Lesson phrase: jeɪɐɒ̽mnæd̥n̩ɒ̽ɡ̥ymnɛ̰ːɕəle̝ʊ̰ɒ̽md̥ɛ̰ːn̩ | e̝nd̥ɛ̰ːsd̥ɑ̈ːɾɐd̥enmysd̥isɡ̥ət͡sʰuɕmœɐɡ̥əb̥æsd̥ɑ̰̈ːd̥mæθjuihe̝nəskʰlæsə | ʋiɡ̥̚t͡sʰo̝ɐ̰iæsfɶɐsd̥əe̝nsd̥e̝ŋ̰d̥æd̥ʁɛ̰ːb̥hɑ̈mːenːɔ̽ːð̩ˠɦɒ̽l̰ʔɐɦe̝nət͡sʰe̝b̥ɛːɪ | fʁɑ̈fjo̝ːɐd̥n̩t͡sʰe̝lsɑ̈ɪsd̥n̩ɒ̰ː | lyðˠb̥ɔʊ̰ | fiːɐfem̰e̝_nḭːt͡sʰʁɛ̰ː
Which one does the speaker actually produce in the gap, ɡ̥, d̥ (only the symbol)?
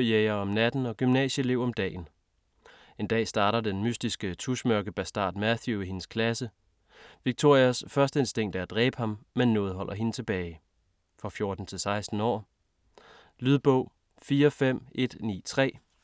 d̥